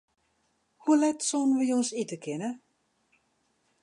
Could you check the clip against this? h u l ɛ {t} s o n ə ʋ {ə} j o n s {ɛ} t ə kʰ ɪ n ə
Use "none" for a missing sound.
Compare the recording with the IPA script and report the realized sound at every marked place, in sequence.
t, ə, i

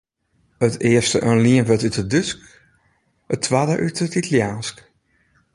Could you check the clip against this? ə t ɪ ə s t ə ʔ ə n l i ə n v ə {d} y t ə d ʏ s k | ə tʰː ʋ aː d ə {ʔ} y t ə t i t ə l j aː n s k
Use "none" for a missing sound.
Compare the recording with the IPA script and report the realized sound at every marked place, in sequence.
t, ʔ

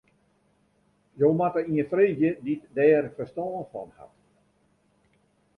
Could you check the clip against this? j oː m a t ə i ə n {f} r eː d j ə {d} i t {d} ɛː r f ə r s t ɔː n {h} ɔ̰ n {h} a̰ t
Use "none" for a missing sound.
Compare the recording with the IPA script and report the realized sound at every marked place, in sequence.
f, d, d, f, h

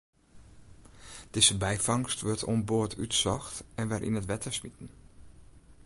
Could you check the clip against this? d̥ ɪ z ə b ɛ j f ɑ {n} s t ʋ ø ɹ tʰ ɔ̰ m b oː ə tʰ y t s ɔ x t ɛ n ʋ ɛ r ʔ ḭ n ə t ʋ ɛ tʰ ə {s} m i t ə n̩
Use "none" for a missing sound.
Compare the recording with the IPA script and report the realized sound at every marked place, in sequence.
ŋ, s

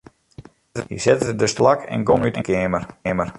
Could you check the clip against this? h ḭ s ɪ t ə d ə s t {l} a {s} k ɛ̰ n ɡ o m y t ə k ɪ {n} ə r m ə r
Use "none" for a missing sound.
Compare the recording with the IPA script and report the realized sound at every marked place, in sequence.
l, none, m

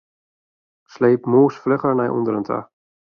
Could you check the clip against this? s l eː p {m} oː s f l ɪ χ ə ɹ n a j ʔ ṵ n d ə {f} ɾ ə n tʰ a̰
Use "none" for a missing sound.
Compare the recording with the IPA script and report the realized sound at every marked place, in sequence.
m, none

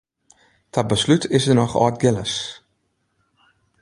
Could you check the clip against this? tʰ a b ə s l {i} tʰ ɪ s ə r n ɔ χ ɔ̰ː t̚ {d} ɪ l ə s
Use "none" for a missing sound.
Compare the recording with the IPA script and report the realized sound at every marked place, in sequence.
y, ɡ

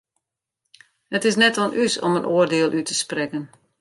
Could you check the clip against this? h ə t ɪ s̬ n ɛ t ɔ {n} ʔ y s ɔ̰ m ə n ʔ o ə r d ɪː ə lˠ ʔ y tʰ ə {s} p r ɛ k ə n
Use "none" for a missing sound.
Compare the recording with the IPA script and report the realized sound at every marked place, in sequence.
n, s

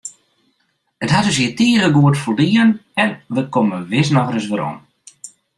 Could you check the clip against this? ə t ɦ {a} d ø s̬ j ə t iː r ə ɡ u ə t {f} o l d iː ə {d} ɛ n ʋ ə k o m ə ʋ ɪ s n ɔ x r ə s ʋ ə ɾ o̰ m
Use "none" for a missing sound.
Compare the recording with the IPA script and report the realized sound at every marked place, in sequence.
a, f, n

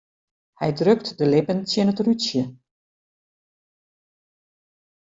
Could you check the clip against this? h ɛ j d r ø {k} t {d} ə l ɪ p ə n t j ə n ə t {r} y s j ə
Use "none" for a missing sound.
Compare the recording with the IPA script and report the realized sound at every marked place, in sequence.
k, d, r

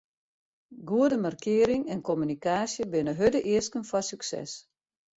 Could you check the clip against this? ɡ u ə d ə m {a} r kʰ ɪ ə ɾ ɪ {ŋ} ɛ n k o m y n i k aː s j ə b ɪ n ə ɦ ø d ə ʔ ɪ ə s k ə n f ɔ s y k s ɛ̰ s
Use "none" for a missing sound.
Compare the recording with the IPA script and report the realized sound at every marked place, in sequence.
a, ŋ

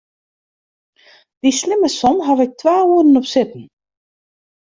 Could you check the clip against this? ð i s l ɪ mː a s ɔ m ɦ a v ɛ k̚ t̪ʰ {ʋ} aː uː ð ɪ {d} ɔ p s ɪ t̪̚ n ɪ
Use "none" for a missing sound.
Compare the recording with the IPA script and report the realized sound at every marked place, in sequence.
v, n

